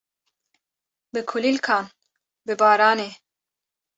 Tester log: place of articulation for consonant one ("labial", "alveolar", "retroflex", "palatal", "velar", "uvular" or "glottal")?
labial